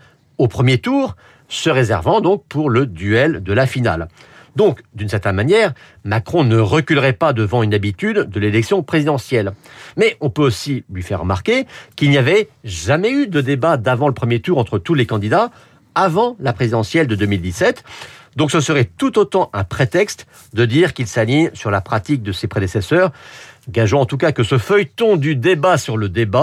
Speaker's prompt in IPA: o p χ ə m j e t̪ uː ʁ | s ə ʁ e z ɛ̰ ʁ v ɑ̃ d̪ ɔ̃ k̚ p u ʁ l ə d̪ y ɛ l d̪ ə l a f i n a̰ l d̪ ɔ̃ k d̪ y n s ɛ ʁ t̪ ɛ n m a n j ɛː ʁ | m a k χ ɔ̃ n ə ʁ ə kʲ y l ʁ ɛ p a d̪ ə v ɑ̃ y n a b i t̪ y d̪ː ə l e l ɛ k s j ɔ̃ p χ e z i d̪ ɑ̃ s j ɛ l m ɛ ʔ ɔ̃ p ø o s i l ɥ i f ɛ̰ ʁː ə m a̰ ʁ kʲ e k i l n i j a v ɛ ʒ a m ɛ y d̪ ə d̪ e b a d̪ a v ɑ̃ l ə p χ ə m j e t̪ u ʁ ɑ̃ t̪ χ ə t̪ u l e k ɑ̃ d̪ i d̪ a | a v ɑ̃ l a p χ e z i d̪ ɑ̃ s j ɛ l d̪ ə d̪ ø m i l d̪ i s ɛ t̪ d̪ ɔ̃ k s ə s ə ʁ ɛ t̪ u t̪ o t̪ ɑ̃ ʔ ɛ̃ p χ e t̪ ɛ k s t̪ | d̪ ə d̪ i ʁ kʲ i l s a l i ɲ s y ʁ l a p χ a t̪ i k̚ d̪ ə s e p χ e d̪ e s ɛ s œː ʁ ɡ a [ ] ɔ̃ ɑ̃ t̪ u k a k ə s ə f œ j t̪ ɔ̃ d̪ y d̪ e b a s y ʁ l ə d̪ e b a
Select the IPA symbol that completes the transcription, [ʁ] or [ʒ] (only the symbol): ʒ